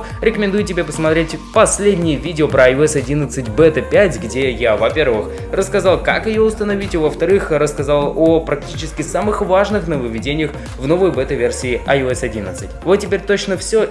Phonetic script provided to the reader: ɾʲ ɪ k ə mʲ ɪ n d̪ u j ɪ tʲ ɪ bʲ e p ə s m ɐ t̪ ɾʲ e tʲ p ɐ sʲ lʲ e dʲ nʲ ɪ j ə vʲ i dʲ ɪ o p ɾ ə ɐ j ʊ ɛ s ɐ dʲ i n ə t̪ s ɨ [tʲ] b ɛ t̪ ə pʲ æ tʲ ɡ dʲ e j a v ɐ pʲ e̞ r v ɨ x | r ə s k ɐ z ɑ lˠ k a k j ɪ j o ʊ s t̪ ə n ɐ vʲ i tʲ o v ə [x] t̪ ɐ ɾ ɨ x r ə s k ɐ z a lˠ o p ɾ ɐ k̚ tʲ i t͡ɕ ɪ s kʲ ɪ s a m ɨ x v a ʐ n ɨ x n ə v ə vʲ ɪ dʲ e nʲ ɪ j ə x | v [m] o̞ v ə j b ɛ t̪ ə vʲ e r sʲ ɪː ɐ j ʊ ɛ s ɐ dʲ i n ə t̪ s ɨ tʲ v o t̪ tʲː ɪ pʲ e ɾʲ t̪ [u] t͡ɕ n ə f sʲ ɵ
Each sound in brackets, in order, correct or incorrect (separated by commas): correct, incorrect, incorrect, incorrect